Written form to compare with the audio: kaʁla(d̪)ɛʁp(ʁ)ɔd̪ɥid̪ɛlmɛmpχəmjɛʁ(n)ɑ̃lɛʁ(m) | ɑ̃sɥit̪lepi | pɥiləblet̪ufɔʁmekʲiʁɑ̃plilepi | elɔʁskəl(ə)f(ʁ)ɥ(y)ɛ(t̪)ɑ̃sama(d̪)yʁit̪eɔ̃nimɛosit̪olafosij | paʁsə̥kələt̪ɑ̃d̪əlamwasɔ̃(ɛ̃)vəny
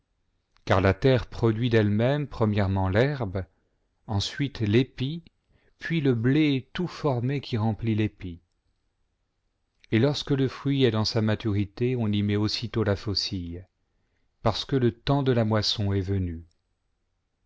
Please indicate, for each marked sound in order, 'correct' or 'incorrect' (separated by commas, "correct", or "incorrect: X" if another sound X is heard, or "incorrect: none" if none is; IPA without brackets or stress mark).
incorrect: t̪, incorrect: χ, incorrect: m, incorrect: b, correct, incorrect: χ, incorrect: i, incorrect: d̪, incorrect: t̪, incorrect: ɛ